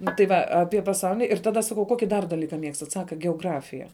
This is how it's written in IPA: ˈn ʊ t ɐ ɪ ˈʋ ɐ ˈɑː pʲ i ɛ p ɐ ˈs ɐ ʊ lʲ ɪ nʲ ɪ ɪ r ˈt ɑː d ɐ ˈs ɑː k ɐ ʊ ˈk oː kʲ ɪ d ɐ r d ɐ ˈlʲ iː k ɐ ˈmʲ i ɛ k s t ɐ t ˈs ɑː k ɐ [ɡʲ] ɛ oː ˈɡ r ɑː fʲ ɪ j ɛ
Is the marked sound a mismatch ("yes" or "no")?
no